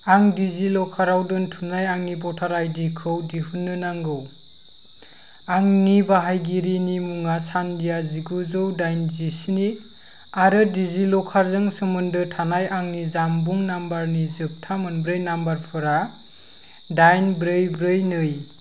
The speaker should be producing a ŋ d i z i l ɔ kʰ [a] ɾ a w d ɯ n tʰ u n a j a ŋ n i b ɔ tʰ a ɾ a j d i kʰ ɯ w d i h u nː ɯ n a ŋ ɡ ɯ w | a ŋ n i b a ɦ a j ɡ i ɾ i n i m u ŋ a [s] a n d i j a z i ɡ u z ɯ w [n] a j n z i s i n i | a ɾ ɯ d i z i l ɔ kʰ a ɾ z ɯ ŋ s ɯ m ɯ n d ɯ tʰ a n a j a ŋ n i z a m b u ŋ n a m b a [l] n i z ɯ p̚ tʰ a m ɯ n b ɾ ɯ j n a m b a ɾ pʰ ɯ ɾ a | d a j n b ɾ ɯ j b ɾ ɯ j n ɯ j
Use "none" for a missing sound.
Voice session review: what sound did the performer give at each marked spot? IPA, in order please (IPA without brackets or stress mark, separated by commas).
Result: a, s, d, ɾ